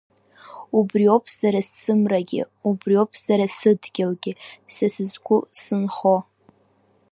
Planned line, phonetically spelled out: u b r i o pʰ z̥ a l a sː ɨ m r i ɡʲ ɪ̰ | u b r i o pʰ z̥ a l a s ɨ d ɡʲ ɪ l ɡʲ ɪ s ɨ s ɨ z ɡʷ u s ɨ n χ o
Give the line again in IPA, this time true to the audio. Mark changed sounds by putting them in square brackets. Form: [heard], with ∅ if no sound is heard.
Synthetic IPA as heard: u b r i o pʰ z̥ a [ɾ] a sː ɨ m r [a] ɡʲ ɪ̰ | u b r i o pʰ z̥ a [ɾ] a s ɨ d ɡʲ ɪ l ɡʲ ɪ s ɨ s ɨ z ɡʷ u s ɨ n χ o